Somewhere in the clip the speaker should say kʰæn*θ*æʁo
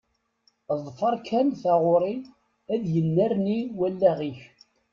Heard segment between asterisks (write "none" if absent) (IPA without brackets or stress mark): θ